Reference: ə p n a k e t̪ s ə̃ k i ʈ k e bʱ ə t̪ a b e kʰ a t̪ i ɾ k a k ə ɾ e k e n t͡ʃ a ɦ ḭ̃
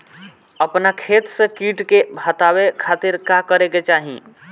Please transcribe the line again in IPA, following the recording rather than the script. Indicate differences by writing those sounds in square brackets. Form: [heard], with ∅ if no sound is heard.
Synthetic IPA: ə p n a [kʰ] e t̪ s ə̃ k i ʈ k e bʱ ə t̪ a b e kʰ a t̪ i ɾ k a k ə ɾ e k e [∅] t͡ʃ a ɦ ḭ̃